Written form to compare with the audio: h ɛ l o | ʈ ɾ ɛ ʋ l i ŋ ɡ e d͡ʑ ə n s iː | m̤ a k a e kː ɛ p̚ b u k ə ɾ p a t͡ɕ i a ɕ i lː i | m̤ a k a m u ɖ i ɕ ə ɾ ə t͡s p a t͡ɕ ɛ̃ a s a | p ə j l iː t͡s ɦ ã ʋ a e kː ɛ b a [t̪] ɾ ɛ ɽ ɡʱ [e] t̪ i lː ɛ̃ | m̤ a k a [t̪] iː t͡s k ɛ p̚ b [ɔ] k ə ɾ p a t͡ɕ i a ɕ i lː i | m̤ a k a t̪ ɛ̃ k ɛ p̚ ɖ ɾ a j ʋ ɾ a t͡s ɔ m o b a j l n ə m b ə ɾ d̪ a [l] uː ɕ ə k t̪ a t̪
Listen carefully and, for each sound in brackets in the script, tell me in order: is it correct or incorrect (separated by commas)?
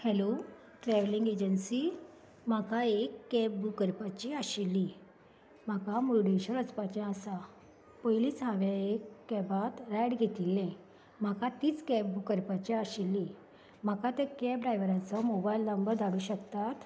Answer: correct, correct, correct, incorrect, incorrect